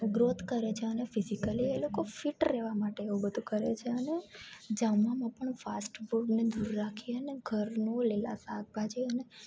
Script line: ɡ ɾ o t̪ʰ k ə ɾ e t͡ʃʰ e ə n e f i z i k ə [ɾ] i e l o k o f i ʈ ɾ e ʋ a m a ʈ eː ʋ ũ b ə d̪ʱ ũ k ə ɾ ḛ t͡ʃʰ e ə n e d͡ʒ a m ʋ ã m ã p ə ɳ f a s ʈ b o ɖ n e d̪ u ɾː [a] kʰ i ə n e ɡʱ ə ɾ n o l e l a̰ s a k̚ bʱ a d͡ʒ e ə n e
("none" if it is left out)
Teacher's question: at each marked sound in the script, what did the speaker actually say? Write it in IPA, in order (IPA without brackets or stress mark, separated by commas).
l, a